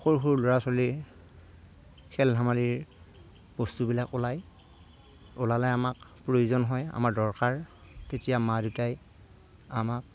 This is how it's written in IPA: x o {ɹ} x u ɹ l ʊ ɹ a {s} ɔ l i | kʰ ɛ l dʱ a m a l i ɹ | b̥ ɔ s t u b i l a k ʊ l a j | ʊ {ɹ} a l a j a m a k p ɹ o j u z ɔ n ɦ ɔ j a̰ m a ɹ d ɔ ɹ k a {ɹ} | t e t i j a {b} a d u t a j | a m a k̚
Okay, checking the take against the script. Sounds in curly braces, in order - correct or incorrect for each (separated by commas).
correct, correct, incorrect, correct, incorrect